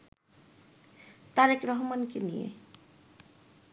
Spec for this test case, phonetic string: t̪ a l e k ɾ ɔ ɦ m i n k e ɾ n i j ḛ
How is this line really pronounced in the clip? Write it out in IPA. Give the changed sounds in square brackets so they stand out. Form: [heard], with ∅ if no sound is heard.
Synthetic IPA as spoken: t̪ a [ɾ] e k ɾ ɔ ɦ m [a] n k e [∅] n i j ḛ